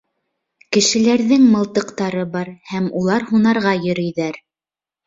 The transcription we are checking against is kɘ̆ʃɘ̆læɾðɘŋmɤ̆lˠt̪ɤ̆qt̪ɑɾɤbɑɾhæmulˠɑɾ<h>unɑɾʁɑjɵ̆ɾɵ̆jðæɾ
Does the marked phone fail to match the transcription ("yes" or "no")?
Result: no